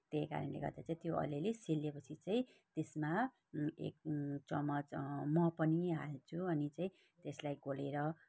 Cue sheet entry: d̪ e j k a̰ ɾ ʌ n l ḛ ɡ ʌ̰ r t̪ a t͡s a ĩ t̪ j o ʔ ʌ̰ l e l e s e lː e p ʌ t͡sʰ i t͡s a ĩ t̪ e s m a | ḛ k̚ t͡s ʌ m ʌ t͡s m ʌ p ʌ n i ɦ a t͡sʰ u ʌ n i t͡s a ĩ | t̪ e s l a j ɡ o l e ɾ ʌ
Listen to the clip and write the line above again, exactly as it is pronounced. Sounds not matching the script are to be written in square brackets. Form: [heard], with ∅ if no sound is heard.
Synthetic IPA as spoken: [t̪] e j k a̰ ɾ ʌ n l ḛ ɡ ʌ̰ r [d̪] a t͡s a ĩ t̪ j o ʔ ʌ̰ l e l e s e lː e p ʌ t͡sʰ i t͡s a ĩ t̪ e s m a | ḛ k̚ t͡s ʌ m ʌ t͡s m ʌ p ʌ n i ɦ a t͡sʰ u ʌ n i t͡s a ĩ | t̪ e s l a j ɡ o l e ɾ ʌ